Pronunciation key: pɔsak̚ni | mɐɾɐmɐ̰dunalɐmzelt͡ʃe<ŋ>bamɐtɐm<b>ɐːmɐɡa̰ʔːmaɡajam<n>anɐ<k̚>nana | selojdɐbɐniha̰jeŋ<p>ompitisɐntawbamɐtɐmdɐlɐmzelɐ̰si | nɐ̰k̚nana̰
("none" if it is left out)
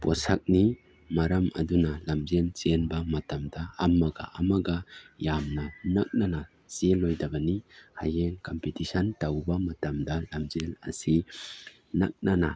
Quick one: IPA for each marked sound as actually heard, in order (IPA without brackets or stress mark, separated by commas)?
n, d, n, k̚, k